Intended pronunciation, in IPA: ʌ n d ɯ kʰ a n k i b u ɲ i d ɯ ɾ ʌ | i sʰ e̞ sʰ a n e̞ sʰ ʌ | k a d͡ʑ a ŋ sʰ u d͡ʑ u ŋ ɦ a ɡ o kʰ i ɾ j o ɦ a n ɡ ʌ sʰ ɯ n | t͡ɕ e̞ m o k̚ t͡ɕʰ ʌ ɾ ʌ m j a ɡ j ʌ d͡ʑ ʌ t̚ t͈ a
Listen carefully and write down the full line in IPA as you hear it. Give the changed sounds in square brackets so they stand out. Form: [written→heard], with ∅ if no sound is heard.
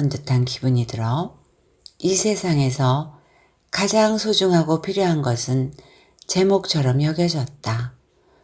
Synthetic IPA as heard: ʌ n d ɯ [kʰ→tʰ] a n k i b u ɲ i d ɯ ɾ ʌ | i sʰ e̞ sʰ a [n→ŋ] e̞ sʰ ʌ | k a d͡ʑ a ŋ sʰ [u→o] d͡ʑ u ŋ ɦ a ɡ o [kʰ→pʰ] i ɾ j o ɦ a n ɡ ʌ sʰ ɯ n | t͡ɕ e̞ m o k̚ t͡ɕʰ ʌ ɾ ʌ m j [a→ʌ] ɡ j ʌ d͡ʑ ʌ t̚ t͈ a